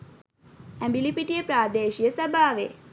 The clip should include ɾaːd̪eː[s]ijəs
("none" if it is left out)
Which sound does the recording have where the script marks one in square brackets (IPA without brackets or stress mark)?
ʃ